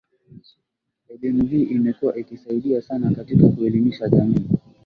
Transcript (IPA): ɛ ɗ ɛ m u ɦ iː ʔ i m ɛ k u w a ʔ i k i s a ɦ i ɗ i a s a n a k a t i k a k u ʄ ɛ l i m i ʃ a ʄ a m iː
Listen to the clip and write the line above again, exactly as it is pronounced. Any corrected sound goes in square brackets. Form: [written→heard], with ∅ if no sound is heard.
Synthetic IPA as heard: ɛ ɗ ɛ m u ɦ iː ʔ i m ɛ k u w a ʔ i k i s a [ɦ→∅] i ɗ i a s a n a k a t i k a k u [ʄ→∅] ɛ l i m i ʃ a ʄ a m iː